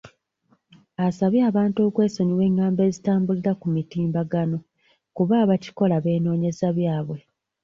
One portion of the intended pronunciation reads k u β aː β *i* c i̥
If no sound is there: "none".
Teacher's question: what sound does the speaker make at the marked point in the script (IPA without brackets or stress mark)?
a